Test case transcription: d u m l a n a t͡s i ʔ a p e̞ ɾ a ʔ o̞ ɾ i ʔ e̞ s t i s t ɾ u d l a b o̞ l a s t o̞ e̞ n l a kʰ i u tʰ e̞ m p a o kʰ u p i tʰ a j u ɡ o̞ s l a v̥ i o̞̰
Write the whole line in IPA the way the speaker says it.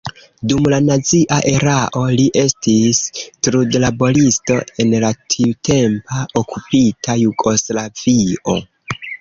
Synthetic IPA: d u m l a n a t͡s i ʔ a ʔ e̞ ɾ a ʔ o̞ l i ʔ e̞ s t i s t ɾ u d l a b o̞ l i s t o̞ e̞ n l a tʰ i u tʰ e̞ m p a o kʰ u p i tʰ a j u ɡ o̞ s l a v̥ i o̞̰